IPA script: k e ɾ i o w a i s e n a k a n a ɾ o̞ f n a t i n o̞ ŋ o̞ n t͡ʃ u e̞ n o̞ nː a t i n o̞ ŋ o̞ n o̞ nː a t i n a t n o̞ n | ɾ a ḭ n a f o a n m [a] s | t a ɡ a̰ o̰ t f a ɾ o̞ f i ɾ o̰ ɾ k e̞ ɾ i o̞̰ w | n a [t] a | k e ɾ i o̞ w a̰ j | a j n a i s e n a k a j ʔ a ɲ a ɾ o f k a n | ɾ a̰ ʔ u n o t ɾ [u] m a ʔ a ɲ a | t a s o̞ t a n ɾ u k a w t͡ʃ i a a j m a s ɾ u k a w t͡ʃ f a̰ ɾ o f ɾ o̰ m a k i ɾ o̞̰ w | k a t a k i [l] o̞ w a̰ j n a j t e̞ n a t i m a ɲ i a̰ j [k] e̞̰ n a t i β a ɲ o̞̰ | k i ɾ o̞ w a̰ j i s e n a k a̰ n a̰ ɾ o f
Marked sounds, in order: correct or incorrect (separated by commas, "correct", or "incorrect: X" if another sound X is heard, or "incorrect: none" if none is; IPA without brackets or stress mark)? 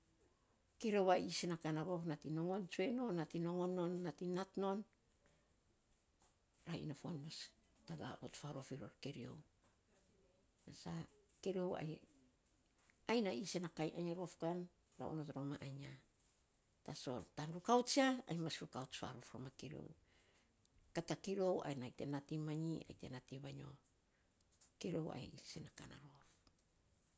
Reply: correct, incorrect: s, incorrect: o, incorrect: ɾ, incorrect: t